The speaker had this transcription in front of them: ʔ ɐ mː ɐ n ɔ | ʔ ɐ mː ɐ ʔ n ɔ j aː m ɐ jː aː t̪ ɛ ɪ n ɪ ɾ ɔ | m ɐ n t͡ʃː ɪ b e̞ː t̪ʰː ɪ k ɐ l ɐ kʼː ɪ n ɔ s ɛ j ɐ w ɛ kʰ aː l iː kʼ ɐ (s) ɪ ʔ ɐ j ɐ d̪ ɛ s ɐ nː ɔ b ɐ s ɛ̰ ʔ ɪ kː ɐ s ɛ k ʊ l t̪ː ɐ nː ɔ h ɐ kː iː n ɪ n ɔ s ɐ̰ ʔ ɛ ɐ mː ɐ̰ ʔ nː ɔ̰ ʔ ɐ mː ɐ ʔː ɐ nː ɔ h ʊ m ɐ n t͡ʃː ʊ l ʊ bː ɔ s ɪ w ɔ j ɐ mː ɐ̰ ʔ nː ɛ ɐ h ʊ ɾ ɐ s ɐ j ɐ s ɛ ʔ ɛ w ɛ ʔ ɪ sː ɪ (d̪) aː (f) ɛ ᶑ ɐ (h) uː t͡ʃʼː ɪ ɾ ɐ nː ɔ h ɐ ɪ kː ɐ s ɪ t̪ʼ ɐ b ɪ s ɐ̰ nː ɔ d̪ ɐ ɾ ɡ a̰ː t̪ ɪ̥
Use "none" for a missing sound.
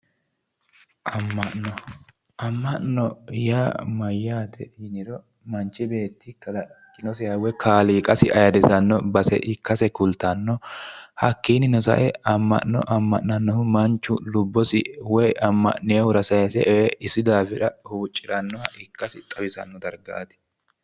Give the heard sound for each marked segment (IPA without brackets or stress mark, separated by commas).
s, d̪, f, h